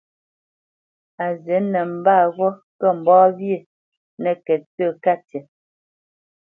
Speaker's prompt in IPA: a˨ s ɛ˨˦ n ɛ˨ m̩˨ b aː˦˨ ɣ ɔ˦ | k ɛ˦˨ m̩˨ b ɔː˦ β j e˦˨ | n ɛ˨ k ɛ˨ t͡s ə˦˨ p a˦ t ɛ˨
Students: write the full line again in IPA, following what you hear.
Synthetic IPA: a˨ z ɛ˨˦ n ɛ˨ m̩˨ b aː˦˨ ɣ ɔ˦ | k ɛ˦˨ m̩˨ b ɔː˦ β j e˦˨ | n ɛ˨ k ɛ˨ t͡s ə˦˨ k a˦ t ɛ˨